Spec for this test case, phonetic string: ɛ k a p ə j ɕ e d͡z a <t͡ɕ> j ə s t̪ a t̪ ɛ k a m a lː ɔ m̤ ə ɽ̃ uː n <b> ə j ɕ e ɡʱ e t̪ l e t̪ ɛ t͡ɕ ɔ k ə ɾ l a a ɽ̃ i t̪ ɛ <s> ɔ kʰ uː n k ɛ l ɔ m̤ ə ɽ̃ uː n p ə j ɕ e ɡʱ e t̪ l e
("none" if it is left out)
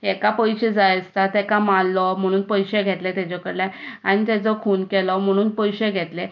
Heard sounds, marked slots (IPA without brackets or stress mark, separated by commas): none, p, t͡s